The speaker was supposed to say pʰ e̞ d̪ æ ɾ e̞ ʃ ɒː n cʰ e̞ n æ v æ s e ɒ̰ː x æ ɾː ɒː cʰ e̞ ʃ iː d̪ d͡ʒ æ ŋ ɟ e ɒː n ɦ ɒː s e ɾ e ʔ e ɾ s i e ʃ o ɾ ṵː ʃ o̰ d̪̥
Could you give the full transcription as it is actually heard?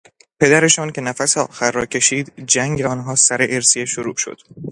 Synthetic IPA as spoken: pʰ e̞ d̪ æ ɾ e̞ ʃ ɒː n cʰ e̞ n æ f æ s e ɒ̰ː x æ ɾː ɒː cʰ e̞ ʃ iː d̪ d͡ʒ æ ŋ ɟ e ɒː n ɦ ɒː s æ ɾ e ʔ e ɾ s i e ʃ o ɾ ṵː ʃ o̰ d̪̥

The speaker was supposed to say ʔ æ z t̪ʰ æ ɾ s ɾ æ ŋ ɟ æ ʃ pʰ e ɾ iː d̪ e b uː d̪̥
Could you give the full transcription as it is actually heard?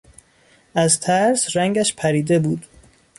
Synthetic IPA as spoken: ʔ æ z t̪ʰ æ ɾ s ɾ æ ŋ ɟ æ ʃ pʰ æ ɾ iː d̪ e b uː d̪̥

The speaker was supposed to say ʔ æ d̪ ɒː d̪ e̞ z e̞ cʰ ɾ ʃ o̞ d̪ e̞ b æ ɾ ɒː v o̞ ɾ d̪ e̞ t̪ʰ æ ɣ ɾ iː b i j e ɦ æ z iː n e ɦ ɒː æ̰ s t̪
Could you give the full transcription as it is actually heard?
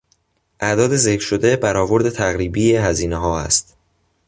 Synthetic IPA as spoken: ʔ æ d̪ ɒː d̪ e̞ z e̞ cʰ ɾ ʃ o̞ d̪ e̞ b æ ɾ ɒː v o̞ ɾ d̪ e̞ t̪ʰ æ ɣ ɾ iː b i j e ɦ æ z iː n e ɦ ɒː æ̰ s t̪

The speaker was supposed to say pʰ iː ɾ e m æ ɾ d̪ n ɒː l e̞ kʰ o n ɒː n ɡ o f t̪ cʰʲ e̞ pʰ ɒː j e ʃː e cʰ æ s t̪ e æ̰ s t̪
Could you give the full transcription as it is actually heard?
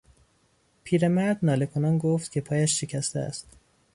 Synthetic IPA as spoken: pʰ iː ɾ e m æ ɾ d̪ n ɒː l e̞ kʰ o n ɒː n ɡ o f t̪ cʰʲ e̞ pʰ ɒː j æ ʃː e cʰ æ s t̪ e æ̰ s t̪

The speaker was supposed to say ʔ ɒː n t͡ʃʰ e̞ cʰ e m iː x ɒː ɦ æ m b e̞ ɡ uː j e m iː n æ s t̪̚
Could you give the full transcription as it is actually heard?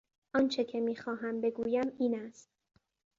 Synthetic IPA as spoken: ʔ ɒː n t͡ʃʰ e̞ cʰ e m iː x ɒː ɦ æ m b e̞ ɡ uː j æ m iː n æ s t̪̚

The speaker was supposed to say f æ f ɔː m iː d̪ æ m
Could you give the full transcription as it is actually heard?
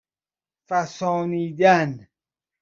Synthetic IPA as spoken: f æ s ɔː n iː d̪ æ n

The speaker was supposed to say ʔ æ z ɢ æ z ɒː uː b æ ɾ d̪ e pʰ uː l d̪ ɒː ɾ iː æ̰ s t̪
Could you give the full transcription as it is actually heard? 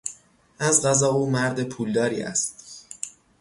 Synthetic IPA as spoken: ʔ æ z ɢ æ z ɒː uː m æ ɾ d̪ e pʰ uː l d̪ ɒː ɾ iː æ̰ s t̪

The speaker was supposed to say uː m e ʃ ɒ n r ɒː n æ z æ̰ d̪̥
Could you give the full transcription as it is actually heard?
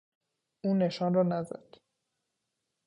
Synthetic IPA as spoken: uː n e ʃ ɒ n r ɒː n æ z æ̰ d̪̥

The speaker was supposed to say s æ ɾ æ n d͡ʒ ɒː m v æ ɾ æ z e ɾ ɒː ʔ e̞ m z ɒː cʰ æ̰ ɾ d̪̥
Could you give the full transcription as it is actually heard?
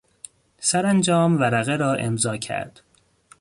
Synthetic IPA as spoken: s æ ɾ æ n d͡ʒ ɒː m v æ ɾ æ ɣ e ɾ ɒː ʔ e̞ m z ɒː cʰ æ̰ ɾ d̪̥

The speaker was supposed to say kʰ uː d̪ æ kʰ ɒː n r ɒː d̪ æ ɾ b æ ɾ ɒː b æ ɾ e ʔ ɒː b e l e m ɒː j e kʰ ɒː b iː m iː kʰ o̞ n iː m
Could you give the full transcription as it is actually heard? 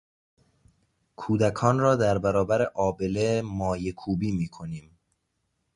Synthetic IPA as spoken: kʰ uː d̪ æ kʰ ɒː n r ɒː d̪ æ ɾ b æ ɾ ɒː b æ ɾ e ʔ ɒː b e l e m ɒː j e kʰ uː b iː m iː kʰ o̞ n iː m

